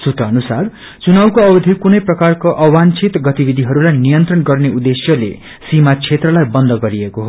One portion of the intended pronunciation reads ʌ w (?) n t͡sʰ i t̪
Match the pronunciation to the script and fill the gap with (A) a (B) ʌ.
A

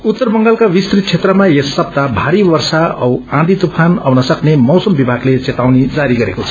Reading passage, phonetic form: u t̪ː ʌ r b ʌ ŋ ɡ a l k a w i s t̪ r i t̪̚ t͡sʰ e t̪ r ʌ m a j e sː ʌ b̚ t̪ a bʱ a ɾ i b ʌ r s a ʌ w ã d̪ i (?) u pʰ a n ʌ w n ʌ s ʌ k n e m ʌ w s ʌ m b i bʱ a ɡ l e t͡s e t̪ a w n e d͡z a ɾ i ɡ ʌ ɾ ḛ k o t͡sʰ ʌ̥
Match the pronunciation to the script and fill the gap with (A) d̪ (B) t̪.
B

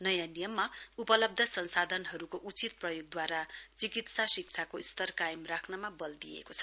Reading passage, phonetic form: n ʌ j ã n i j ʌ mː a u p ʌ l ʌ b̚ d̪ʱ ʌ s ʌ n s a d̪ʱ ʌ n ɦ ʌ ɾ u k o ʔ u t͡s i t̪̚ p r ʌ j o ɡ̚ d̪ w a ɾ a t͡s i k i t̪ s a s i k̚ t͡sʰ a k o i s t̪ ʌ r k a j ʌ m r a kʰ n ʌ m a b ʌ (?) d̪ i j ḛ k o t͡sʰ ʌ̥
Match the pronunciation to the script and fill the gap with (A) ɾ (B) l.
B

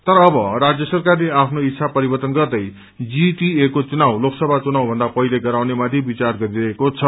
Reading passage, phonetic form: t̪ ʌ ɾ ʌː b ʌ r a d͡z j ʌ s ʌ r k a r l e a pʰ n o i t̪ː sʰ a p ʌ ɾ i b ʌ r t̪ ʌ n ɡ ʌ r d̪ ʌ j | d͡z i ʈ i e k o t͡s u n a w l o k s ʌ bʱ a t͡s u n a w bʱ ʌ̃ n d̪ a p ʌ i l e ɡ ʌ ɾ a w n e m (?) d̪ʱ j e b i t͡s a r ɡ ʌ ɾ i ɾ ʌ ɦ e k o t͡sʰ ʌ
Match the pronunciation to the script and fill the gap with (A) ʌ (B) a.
B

